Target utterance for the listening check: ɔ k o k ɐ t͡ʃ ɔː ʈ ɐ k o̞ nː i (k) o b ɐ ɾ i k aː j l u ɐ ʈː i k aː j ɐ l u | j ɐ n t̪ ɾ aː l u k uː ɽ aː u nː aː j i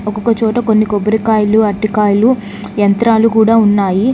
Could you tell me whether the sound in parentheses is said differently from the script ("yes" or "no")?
no